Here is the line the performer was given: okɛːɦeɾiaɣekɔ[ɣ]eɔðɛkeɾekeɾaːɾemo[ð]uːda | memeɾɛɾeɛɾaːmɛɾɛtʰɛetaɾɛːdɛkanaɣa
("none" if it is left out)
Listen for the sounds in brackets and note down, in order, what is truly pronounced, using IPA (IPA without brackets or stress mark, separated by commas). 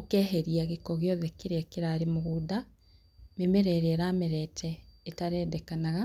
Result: ɣ, ɣ